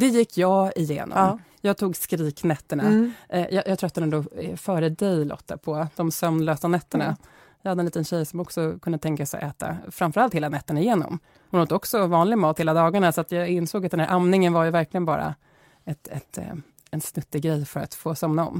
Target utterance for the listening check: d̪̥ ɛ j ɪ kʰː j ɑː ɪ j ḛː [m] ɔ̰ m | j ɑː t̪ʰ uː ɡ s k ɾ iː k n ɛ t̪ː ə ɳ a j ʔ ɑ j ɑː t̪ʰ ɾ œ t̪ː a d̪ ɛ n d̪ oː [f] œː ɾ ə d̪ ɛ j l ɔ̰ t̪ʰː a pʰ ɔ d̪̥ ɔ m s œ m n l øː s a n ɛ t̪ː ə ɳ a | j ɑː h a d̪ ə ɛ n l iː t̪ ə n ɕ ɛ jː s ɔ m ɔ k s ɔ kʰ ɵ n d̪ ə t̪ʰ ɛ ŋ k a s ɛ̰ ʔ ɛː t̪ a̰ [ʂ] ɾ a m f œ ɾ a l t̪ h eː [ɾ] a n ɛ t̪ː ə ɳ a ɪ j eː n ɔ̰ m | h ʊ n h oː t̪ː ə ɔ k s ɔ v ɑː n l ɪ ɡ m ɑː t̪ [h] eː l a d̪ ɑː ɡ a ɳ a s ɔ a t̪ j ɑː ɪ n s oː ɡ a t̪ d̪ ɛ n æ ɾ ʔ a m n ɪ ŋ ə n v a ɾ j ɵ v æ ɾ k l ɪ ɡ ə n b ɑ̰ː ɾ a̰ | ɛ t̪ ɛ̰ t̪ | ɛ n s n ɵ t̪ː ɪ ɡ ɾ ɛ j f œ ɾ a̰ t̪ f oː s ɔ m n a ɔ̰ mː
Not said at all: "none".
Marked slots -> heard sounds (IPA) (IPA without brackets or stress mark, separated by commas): n, f, f, l, h